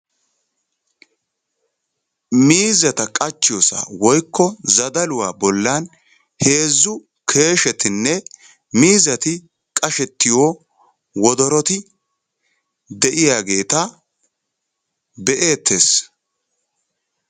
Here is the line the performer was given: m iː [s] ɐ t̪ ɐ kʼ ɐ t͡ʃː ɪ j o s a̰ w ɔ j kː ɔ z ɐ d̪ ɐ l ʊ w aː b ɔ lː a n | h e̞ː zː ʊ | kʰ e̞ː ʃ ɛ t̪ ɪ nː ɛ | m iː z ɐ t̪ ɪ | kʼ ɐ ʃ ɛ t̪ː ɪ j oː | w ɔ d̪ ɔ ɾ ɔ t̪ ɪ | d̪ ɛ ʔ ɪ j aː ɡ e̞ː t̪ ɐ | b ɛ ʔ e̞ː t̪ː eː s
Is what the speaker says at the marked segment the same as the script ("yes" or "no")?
no